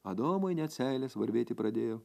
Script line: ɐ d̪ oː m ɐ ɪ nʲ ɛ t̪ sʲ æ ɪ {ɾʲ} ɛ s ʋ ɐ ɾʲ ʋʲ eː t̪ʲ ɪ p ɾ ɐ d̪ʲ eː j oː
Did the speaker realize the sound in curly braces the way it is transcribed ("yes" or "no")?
no